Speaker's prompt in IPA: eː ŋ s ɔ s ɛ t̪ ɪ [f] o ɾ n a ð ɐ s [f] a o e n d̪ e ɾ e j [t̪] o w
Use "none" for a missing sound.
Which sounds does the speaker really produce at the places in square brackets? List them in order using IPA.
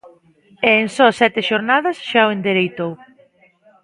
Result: ʃ, ʃ, t̪

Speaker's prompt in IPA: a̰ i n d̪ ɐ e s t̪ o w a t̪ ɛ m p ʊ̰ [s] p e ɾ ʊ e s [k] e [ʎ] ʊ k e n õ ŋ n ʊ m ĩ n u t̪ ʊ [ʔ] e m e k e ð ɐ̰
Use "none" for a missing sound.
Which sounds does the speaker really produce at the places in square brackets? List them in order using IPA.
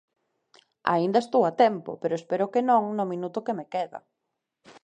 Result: none, p, ɾ, k

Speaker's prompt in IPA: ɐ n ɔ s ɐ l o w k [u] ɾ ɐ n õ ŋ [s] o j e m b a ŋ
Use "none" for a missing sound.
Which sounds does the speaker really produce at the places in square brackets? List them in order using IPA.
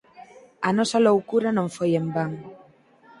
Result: u, f

